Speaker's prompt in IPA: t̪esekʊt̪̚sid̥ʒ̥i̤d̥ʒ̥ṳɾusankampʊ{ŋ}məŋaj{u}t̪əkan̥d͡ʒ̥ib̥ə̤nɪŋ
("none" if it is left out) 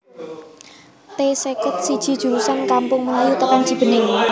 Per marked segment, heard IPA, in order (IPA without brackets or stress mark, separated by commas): ŋ, u